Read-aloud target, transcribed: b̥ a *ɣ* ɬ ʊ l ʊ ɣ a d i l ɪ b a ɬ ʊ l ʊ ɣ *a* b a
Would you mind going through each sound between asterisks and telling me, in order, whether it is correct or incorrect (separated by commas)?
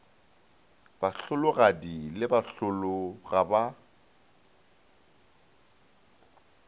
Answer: incorrect, correct